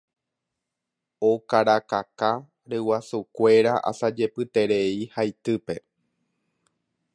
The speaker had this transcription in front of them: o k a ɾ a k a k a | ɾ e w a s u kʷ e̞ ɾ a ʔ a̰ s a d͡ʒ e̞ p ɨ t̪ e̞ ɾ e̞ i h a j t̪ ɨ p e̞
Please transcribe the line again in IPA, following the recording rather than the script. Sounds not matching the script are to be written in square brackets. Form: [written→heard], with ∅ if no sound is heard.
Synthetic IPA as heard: o k a ɾ a k a k a | ɾ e w a s u kʷ e̞ ɾ a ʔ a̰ s a d͡ʒ e̞ p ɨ t̪ e̞ ɾ e̞ i h a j t̪ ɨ p e̞